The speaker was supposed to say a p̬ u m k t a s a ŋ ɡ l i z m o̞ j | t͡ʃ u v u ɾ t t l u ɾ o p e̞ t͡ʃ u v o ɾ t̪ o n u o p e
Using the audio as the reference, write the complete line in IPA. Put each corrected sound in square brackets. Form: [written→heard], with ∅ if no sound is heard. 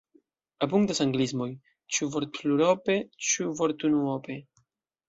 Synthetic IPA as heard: a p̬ u [m→ŋ] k t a s a ŋ ɡ l i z m o̞ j | t͡ʃ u v [u→o] ɾ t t l u ɾ o p e̞ t͡ʃ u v o ɾ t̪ [o→u] n u o p e